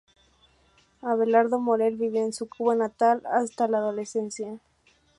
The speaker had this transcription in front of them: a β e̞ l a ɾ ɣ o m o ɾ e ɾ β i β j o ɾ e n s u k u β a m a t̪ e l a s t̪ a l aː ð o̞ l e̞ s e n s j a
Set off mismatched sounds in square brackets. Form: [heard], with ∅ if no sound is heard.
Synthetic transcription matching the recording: a β e̞ l a ɾ [ð] o m o ɾ e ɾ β i β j o [∅] e n s u k u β a [n] a t̪ [a] l a s t̪ a l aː ð o̞ l e̞ s e n s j a